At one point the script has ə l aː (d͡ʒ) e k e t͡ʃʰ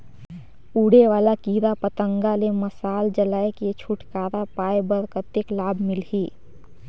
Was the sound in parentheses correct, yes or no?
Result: no